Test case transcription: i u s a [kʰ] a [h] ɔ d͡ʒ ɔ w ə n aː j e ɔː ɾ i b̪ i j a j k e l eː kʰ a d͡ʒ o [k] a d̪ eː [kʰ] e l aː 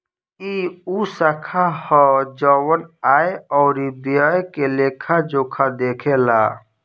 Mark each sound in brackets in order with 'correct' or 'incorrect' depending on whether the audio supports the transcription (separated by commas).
correct, correct, incorrect, correct